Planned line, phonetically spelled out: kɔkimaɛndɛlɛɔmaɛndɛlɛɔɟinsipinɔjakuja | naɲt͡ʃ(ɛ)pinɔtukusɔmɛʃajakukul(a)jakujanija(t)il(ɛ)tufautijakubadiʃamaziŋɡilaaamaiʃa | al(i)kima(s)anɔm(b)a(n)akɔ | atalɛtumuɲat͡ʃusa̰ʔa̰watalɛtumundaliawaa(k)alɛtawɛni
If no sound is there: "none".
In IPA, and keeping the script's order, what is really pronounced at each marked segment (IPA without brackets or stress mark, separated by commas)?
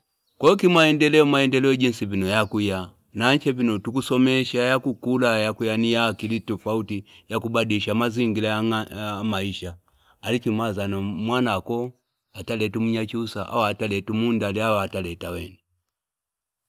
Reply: ɛ, a, k, i, i, z, w, n, t